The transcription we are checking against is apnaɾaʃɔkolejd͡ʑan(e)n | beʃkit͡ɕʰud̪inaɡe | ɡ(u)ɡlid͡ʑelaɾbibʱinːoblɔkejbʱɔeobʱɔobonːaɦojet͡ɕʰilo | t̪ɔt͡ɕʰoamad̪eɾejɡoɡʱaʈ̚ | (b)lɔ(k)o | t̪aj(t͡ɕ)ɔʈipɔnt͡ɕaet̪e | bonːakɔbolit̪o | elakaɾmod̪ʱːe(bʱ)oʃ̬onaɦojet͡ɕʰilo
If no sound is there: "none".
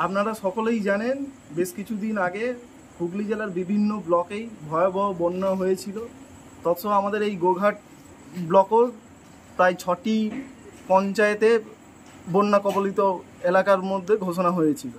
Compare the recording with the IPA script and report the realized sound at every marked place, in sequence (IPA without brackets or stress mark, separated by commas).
e, u, b, k, t͡ɕʰ, ɡʱ